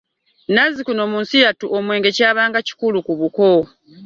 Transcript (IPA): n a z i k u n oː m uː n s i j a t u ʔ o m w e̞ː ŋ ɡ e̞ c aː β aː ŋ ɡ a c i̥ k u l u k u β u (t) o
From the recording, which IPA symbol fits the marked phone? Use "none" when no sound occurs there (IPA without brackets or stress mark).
k